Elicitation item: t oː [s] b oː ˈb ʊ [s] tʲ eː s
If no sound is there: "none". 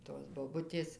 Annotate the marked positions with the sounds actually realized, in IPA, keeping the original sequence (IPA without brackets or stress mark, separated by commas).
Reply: s, none